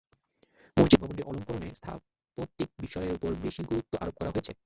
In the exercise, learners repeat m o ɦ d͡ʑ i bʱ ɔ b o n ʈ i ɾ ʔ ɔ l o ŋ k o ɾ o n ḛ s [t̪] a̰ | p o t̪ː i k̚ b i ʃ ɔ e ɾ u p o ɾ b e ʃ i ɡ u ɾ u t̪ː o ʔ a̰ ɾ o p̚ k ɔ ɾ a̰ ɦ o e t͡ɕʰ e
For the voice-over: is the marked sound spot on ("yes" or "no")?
no